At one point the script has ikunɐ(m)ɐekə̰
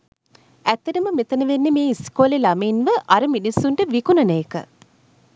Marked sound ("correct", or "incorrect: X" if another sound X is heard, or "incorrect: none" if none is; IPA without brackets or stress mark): incorrect: n